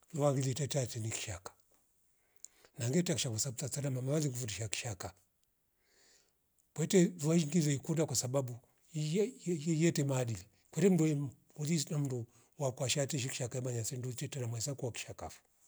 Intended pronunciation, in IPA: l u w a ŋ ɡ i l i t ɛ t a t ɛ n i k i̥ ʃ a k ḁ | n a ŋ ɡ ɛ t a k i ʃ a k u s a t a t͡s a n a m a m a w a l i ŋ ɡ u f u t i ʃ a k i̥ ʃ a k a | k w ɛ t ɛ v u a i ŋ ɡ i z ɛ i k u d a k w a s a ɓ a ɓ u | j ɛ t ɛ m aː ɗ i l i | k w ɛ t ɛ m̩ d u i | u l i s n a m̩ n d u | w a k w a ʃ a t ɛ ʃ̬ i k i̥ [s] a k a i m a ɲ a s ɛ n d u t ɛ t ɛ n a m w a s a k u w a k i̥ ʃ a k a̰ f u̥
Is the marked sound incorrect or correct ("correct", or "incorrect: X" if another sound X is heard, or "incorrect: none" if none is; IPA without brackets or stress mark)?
incorrect: ʃ